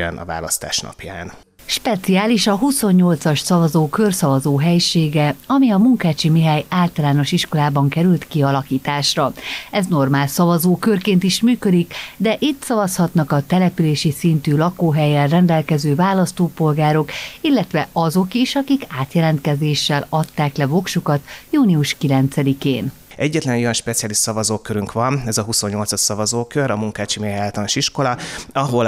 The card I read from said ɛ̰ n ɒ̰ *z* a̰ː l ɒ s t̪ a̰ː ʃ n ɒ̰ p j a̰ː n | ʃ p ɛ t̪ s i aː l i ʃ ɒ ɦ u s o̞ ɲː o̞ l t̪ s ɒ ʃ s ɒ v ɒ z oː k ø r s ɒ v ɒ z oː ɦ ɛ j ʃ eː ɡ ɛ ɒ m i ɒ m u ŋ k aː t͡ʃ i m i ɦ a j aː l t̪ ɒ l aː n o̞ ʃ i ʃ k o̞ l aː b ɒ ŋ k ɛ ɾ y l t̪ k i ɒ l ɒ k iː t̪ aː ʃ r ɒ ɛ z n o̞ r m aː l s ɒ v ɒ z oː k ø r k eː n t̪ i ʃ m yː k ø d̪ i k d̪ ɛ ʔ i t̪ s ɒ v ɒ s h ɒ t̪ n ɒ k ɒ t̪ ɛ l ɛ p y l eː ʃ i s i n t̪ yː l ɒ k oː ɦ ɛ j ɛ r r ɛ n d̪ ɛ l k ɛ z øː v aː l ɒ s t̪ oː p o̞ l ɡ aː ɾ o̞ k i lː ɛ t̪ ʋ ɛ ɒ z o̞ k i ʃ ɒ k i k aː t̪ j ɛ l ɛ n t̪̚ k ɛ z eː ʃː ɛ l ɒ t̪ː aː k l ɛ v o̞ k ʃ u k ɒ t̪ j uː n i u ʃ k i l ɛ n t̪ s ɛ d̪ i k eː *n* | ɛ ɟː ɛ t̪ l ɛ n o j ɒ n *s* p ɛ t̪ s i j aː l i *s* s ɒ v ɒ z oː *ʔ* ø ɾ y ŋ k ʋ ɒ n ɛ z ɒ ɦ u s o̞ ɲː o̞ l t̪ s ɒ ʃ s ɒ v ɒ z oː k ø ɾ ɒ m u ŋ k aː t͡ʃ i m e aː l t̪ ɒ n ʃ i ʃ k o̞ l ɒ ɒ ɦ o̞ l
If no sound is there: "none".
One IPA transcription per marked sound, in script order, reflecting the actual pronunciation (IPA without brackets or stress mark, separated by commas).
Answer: v, n, ʃ, ʃ, k